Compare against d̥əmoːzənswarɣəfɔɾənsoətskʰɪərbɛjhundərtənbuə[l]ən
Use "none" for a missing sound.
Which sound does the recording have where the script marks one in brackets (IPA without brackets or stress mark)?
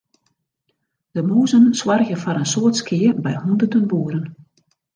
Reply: ɾ